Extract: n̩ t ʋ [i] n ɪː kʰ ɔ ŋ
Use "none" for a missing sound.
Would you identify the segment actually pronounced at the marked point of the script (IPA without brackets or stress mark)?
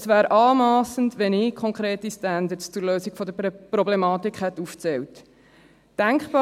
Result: ɛ